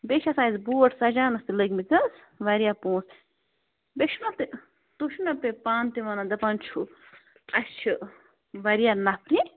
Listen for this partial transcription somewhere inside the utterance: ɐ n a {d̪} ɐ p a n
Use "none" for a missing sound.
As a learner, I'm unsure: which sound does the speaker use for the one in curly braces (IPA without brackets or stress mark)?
d̪